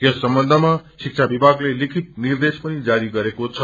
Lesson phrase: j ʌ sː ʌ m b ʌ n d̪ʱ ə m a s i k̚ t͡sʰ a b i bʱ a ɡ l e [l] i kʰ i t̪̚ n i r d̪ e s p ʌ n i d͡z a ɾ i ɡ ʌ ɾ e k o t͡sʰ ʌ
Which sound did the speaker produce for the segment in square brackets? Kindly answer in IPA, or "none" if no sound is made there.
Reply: l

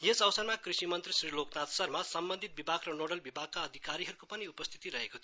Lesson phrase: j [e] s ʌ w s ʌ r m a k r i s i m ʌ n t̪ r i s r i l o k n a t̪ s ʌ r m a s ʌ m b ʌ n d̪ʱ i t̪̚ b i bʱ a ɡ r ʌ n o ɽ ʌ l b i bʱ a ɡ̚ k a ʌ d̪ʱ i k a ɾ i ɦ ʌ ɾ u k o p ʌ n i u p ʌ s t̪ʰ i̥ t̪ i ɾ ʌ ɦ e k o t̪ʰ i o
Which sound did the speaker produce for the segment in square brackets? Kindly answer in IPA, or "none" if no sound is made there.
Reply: e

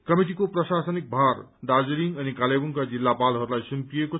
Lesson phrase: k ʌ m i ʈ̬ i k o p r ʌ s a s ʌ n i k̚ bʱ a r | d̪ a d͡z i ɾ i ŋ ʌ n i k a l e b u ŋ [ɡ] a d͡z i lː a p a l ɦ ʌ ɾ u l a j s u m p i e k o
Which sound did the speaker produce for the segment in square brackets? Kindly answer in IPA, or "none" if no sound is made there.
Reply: k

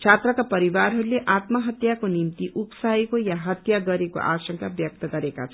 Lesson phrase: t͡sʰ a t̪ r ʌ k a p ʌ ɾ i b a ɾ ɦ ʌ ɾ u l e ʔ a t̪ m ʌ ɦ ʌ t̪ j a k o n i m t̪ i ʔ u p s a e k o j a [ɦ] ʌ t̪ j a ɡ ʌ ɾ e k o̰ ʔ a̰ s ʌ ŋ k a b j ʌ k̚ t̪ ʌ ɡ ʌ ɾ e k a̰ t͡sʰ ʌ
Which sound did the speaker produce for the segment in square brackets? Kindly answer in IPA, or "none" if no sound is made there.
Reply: ɦ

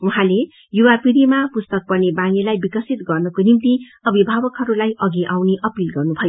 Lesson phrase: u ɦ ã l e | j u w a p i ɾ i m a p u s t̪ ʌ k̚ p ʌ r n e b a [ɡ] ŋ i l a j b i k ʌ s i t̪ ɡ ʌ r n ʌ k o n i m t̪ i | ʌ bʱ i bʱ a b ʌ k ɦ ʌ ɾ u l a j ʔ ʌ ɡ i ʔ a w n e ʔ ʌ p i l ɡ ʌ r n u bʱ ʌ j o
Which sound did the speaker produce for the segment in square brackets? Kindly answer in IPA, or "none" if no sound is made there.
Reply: none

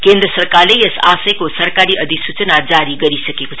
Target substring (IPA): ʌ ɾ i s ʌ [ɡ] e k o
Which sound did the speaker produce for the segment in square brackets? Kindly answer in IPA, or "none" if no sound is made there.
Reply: k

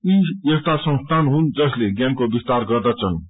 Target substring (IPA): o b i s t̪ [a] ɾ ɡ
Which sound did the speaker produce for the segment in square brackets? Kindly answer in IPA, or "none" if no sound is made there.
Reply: a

